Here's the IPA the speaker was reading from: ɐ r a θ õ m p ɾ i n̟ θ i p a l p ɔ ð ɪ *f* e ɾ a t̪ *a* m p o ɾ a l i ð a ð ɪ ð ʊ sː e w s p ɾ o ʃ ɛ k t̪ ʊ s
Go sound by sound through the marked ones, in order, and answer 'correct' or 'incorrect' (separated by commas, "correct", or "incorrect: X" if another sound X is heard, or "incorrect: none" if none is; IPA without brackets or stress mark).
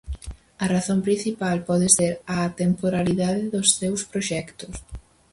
incorrect: s, incorrect: e